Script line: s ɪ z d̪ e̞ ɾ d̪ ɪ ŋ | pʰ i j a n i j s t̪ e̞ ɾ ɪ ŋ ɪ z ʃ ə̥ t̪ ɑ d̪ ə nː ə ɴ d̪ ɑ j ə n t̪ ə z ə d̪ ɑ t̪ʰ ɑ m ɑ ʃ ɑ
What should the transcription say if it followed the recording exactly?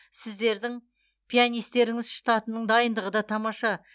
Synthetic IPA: s ɪ z d̪ e̞ ɾ d̪ ɪ ŋ | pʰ i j a n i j s t̪ e̞ ɾ ɪ ŋ ɪ z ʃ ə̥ t̪ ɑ t̪ ə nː ə ɴ d̪ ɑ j ə n d̪ ə ʁ ə d̪ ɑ t̪ʰ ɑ m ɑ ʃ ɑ